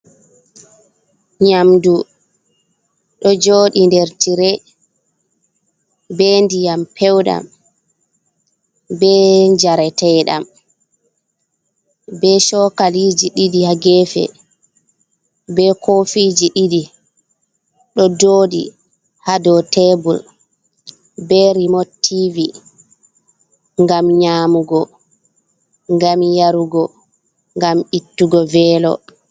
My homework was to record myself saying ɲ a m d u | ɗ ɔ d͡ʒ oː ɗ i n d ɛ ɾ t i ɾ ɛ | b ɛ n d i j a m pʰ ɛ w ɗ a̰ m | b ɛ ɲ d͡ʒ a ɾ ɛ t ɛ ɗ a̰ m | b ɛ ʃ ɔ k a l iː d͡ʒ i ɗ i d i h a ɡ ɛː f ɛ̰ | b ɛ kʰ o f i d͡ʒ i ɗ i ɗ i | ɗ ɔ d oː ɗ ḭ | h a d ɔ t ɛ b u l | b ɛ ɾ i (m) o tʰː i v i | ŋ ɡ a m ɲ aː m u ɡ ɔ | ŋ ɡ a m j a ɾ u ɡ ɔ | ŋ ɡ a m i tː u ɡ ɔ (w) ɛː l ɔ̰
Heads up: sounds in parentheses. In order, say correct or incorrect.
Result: correct, incorrect: v

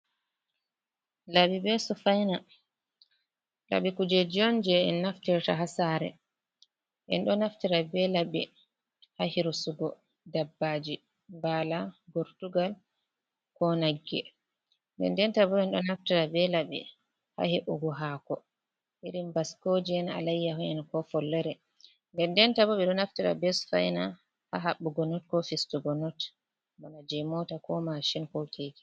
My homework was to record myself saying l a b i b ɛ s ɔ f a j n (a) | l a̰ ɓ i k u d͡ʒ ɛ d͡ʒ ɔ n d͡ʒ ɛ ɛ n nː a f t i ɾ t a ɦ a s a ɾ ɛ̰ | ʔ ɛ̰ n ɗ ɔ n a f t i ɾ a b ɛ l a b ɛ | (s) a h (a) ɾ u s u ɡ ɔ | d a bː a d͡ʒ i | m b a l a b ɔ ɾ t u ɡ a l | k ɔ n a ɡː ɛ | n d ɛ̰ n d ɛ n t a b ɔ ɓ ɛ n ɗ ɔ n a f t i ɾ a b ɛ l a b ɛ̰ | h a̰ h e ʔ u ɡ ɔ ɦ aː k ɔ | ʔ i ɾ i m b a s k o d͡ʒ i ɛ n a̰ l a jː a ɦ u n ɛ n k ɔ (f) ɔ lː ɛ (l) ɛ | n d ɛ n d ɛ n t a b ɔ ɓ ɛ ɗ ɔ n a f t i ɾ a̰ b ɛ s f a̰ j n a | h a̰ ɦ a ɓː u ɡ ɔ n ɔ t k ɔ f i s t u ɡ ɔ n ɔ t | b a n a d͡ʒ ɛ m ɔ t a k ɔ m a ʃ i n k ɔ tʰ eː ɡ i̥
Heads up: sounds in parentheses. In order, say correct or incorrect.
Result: correct, incorrect: h, incorrect: i, correct, incorrect: ɾ

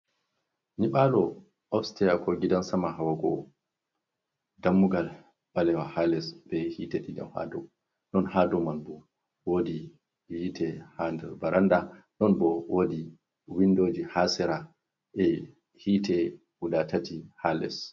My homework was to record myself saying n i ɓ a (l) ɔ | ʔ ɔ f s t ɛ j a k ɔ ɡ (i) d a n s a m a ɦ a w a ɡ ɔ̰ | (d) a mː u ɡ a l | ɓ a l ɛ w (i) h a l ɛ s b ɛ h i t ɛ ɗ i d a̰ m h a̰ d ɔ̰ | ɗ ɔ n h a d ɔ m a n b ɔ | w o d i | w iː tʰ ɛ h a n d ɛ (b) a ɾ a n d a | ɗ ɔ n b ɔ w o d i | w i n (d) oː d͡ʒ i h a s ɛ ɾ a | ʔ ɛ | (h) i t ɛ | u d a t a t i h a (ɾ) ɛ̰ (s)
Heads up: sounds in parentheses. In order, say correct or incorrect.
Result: correct, correct, correct, incorrect: a, correct, correct, correct, incorrect: l, correct

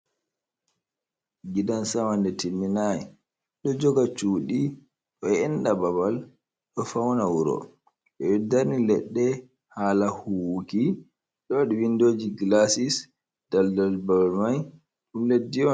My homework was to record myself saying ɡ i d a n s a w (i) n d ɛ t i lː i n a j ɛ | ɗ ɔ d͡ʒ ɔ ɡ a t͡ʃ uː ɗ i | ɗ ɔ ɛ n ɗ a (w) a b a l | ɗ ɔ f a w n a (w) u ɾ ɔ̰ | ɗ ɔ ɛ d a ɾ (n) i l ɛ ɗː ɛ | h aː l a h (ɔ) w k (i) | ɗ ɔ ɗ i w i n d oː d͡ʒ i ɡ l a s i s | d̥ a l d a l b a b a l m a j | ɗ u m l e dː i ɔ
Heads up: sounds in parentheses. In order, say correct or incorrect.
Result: incorrect: a, incorrect: b, correct, correct, incorrect: u, correct

